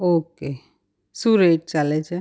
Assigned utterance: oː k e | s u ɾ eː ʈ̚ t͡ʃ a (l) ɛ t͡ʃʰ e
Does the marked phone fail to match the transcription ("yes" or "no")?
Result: no